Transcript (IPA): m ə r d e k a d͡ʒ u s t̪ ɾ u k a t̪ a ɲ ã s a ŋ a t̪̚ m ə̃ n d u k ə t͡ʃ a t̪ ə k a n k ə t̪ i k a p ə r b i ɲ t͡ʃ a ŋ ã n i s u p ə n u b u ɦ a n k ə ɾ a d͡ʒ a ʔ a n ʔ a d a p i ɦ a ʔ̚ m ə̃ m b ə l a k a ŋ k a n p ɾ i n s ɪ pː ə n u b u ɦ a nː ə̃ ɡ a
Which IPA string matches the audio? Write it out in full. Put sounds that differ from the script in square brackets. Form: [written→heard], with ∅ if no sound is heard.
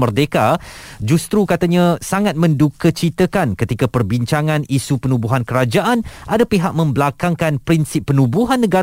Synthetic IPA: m ə r d e k a d͡ʒ u s t̪ ɾ u k a t̪ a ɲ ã s a ŋ a t̪̚ m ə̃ n d u k ə t͡ʃ [a→i] t̪ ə k a n k ə t̪ i k a p ə r b i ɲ t͡ʃ a ŋ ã n i s u p ə n u b u ɦ a n k ə ɾ a d͡ʒ a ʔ a n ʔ a d a p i ɦ a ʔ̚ m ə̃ m b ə l a k a ŋ k a n p ɾ i n s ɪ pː ə n u b u ɦ a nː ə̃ ɡ a